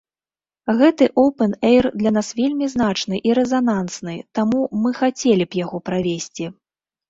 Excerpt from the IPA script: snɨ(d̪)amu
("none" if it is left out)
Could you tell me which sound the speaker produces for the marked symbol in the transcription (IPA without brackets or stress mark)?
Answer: t̪